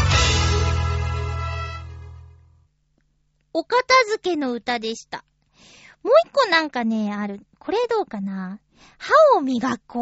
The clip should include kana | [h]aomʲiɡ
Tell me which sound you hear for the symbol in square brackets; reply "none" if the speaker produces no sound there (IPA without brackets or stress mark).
h